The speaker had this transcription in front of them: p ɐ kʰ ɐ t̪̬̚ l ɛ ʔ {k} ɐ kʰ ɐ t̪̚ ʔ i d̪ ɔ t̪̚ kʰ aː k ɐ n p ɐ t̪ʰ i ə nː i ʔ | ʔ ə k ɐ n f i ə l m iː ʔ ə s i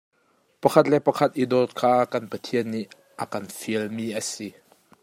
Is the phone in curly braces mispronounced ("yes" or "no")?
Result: yes